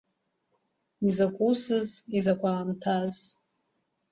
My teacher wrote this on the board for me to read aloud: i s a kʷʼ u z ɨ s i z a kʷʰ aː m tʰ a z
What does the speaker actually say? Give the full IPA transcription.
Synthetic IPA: i z a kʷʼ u s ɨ z i z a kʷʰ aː m tʰ a z